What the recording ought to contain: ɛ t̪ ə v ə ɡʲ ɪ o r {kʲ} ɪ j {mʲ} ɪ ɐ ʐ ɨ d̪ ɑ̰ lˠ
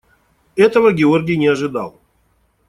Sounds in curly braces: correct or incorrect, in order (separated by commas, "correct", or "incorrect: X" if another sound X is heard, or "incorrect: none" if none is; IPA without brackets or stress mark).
incorrect: ɡʲ, incorrect: nʲ